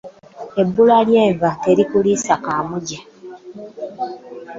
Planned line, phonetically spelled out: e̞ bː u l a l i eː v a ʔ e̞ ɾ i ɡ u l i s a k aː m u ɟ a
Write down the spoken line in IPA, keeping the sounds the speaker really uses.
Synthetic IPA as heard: e̞ bː u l a l j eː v a t e̞ ɾ i k u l i s a k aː m u ɟ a